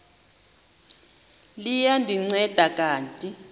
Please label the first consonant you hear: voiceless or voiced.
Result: voiced